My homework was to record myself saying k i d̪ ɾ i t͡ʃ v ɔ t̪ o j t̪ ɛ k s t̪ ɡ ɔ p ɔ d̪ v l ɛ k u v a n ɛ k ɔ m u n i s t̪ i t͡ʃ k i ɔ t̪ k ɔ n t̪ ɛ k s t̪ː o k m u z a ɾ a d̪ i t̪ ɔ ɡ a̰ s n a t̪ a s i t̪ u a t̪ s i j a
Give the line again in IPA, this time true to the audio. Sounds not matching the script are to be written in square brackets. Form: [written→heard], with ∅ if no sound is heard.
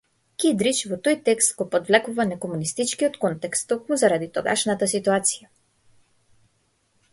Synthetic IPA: k i d̪ ɾ i t͡ʃ v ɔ t̪ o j t̪ ɛ k s t̪ ɡ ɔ p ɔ d̪ v l ɛ k u v a n ɛ k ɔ m u n i s t̪ i t͡ʃ k i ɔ t̪ k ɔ n t̪ ɛ k s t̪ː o k m u z a ɾ a d̪ i t̪ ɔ ɡ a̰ [s→ʃ] n a t̪ a s i t̪ u a t̪ s i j a